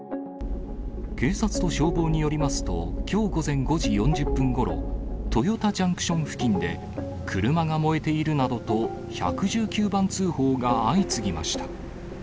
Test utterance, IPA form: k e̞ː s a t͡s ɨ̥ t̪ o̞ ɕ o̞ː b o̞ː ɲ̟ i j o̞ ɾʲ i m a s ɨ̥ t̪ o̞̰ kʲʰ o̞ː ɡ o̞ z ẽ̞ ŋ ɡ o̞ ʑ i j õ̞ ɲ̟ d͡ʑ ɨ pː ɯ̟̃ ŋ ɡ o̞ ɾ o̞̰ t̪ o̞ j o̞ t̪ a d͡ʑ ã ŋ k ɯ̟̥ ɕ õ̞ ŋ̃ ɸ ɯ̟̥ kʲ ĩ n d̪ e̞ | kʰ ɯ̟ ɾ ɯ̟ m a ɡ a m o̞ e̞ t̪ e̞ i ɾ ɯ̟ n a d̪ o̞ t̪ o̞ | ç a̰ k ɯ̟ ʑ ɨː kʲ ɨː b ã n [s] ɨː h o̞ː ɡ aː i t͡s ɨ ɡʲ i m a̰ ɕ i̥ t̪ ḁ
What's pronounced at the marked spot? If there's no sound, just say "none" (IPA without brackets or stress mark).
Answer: t͡s